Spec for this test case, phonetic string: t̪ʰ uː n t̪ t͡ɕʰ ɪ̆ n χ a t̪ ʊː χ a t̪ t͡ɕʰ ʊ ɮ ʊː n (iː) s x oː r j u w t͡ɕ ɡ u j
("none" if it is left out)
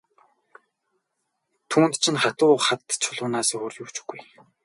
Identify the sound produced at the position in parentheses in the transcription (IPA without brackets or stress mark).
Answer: aː